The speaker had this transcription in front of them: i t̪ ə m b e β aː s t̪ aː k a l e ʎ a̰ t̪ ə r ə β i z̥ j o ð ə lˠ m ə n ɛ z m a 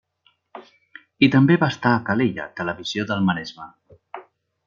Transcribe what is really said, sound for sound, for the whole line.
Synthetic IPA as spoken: i t̪ ə m b e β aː s t̪ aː k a l e ʎ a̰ t̪ ə l ə β i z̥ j o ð ə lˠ m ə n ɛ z m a